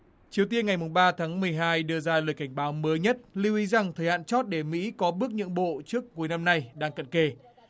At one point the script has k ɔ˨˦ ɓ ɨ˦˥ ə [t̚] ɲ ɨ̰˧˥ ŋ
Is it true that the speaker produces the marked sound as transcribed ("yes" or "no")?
no